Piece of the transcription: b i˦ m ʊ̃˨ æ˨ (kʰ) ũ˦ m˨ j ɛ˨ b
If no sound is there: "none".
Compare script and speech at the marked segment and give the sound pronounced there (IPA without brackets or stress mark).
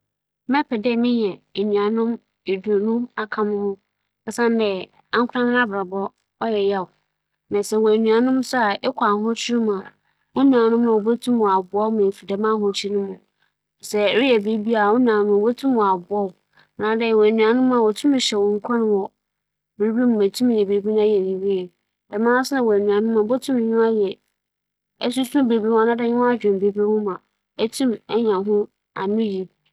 tʰ